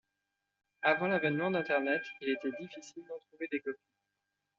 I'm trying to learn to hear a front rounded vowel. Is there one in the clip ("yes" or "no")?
no